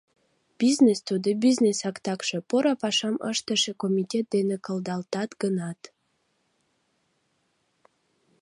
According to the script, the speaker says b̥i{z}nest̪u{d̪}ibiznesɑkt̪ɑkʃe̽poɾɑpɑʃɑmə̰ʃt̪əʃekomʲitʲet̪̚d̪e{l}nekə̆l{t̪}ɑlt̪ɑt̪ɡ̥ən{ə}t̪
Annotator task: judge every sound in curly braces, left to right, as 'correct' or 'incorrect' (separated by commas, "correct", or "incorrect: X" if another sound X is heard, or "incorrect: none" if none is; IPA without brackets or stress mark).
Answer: correct, correct, incorrect: none, incorrect: d̪, incorrect: ɑ